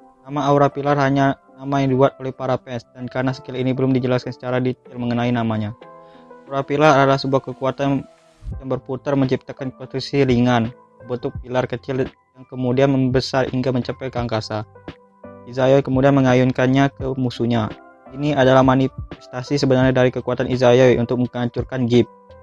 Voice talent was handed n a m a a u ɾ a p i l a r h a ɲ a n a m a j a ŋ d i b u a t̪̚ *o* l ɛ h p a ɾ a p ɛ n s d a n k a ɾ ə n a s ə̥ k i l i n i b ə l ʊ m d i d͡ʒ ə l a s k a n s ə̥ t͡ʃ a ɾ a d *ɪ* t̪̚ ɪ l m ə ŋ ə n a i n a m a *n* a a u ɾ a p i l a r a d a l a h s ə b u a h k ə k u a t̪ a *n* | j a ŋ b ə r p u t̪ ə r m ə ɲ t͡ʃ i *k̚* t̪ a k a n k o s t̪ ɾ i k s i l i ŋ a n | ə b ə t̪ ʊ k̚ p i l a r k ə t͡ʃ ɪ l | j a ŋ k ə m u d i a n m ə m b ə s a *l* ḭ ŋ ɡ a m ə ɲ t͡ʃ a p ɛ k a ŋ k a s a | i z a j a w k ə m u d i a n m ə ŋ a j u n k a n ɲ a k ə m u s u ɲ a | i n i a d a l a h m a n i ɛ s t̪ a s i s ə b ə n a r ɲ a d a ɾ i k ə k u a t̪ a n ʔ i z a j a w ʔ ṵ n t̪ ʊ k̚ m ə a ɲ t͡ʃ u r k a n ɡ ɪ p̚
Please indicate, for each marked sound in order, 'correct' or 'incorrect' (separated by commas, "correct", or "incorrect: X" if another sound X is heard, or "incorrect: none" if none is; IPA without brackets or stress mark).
correct, incorrect: i, incorrect: ɲ, correct, incorrect: p̚, incorrect: r